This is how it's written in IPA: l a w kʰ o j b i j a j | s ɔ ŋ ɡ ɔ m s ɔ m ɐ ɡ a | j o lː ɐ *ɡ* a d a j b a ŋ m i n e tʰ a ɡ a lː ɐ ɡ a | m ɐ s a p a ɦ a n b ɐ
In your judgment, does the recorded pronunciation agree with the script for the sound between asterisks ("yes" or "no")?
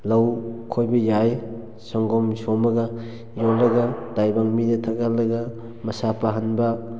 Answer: yes